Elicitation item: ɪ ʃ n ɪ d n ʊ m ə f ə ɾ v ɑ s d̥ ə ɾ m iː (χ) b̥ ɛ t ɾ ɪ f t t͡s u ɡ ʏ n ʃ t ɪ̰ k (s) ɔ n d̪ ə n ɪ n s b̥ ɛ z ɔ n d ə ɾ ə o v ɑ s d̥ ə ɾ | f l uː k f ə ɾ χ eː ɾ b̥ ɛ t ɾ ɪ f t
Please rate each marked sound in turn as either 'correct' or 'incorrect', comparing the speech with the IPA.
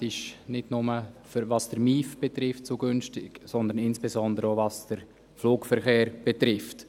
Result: incorrect: f, correct

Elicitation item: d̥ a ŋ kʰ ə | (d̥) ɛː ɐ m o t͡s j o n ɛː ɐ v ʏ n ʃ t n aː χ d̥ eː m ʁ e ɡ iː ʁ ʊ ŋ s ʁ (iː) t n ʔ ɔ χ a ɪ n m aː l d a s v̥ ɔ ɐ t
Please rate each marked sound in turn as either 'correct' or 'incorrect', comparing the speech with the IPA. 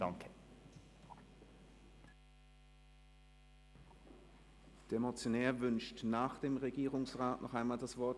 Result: correct, incorrect: aː

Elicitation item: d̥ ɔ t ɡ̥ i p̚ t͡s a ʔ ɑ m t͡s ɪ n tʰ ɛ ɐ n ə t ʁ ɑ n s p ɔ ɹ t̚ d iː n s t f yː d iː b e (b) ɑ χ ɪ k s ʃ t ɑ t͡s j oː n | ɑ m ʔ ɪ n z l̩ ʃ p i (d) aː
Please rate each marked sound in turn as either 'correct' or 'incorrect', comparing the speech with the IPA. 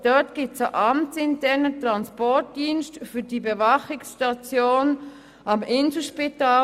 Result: incorrect: v, incorrect: t

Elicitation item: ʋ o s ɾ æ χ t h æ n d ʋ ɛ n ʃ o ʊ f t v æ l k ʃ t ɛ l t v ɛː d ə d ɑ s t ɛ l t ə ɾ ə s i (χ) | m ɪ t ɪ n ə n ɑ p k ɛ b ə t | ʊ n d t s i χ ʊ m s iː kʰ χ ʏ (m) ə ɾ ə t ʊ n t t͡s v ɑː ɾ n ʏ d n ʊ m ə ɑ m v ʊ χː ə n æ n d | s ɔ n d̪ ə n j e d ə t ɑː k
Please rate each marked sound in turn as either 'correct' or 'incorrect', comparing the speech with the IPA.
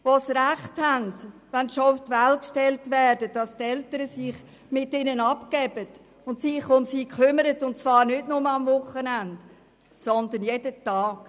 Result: correct, correct

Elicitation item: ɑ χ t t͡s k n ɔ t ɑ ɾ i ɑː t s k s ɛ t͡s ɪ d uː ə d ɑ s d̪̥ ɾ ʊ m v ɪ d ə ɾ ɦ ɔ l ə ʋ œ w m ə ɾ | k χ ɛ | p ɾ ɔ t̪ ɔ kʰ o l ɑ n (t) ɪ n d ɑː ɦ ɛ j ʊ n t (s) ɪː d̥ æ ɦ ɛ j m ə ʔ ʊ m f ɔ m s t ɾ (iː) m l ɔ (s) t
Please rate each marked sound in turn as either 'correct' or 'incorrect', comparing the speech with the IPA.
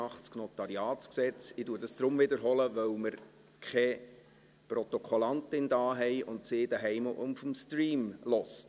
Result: correct, correct, correct, correct

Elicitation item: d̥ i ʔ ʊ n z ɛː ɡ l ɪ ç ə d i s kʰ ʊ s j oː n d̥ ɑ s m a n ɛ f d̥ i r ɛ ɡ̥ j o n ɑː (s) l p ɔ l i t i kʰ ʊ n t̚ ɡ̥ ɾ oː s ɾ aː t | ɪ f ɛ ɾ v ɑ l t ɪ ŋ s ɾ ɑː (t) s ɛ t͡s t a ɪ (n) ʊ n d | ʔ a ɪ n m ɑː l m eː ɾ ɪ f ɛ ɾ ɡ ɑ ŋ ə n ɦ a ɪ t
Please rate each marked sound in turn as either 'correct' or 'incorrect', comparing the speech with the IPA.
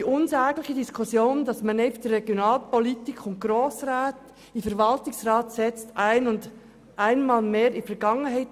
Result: incorrect: none, correct, correct

